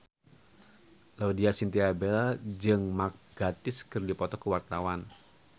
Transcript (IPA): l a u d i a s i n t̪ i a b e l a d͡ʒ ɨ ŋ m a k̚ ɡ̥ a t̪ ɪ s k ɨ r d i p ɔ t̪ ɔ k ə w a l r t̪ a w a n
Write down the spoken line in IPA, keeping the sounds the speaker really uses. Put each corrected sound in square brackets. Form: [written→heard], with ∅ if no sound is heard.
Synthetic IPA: l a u d i a s i n t̪ i a b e l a d͡ʒ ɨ ŋ m a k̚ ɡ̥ a t̪ ɪ s k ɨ r d i p ɔ t̪ ɔ k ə w a [l→∅] r t̪ a w a n

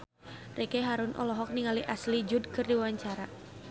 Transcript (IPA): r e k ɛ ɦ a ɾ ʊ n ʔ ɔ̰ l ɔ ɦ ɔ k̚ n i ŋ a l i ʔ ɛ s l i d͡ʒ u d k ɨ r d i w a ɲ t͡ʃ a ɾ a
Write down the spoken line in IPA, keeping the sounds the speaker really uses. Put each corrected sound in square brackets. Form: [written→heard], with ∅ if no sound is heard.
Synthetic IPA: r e k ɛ ɦ a ɾ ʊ n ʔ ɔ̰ l ɔ ɦ ɔ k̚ n i ŋ a l i ʔ [ɛ→a] s l i d͡ʒ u d k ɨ r d i w a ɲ t͡ʃ a ɾ a

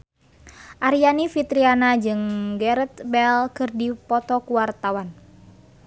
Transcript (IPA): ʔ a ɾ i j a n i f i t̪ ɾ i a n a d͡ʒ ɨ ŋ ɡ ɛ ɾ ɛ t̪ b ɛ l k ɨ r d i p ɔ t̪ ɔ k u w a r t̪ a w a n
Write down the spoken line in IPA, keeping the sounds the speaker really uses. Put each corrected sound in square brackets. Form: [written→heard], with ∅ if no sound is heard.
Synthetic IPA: ʔ a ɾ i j a n i f i t̪ ɾ i a n a d͡ʒ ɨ ŋ ɡ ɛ ɾ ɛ t̪ b ɛ l k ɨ r d i p ɔ t̪ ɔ k u w a r t̪ a w a n

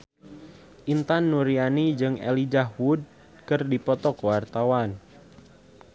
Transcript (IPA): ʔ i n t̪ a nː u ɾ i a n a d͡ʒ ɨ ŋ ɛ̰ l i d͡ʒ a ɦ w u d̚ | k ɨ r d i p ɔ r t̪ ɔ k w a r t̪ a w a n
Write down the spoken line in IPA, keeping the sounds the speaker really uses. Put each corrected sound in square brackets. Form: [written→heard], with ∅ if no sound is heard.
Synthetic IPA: ʔ i n t̪ a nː u ɾ i a n [a→i] d͡ʒ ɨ ŋ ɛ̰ l i d͡ʒ a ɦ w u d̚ | k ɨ r d i p ɔ [r→∅] t̪ ɔ k w a r t̪ a w a n

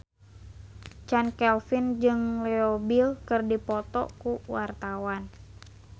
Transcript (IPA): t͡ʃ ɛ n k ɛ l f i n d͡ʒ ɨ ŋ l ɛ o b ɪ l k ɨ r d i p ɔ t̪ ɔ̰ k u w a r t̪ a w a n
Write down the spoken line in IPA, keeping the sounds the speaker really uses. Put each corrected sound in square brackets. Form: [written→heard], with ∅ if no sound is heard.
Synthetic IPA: t͡ʃ [ɛ→a] n k ɛ l f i n d͡ʒ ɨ ŋ l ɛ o b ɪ l k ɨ r d i p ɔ t̪ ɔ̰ k u w a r t̪ a w a n

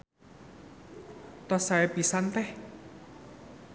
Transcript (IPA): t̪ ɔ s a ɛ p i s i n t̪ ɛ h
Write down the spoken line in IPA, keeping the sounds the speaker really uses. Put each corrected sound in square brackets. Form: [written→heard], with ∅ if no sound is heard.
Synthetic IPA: t̪ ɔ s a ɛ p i s [i→a] n t̪ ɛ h

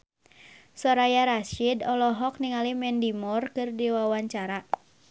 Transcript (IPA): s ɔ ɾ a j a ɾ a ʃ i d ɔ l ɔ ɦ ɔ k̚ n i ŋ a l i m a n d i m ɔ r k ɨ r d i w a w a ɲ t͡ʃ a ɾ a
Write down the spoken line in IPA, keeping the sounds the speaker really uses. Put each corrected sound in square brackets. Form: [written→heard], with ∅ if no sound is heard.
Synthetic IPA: s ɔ ɾ a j a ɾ a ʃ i d ɔ l ɔ ɦ ɔ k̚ n i ŋ a l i m [a→ɛ] n d i m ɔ r k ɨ r d i w a w a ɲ t͡ʃ a ɾ a

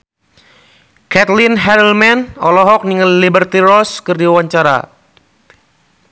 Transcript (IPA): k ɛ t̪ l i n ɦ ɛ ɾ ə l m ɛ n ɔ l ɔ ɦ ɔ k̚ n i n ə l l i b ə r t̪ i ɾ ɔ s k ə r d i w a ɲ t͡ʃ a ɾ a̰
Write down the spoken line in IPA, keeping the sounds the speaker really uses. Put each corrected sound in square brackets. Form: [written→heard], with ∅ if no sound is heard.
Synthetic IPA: k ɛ t̪ l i n ɦ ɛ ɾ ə l m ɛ n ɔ l ɔ ɦ ɔ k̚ n i [n→ŋ] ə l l i b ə r t̪ i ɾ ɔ s k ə r d i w a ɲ t͡ʃ a ɾ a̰

